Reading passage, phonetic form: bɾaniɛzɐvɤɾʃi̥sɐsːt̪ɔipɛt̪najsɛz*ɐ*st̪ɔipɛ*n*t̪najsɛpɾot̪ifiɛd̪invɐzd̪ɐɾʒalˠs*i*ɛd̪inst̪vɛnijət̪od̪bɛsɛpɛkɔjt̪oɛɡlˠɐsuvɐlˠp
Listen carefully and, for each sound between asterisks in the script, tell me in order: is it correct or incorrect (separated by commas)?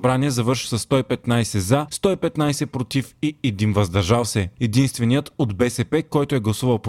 incorrect, incorrect, incorrect